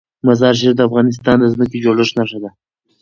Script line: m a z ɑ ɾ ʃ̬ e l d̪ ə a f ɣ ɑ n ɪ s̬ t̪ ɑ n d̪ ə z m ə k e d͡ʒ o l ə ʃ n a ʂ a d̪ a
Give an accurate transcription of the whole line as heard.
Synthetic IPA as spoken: m a z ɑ ɾ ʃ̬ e ɾ d̪ ə a f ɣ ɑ n ɪ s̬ t̪ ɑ n d̪ ə z m ə k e d͡ʒ o l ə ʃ n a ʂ a d̪ a